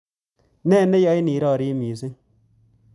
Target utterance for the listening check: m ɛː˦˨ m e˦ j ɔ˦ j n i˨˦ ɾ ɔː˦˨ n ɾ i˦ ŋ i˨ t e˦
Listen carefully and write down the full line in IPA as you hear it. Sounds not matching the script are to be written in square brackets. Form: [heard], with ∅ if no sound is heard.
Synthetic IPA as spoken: [n] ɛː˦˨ [n] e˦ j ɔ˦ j n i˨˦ ɾ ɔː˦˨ [∅] ɾ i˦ [m] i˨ [s] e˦